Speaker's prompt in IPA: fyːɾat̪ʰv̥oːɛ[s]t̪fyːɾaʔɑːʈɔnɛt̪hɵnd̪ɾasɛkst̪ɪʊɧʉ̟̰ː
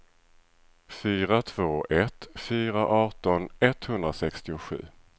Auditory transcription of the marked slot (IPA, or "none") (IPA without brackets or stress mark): none